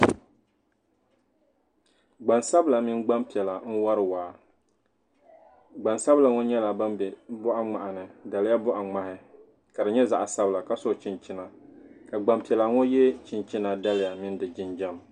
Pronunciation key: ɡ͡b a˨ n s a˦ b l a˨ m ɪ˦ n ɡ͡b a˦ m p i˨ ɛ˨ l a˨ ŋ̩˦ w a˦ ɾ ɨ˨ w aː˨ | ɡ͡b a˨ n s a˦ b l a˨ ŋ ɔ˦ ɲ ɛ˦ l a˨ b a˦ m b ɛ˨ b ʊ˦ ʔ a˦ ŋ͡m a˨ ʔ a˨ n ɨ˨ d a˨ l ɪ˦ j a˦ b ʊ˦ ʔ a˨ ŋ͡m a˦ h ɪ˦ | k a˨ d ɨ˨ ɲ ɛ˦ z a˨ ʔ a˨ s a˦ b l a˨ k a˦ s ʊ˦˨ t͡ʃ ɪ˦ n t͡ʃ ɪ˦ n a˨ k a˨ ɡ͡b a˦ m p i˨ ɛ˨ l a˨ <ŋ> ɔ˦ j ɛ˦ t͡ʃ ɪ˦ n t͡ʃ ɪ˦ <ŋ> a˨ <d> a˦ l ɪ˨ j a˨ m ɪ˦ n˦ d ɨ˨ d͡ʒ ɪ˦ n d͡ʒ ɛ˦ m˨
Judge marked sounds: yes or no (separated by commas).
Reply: yes, no, yes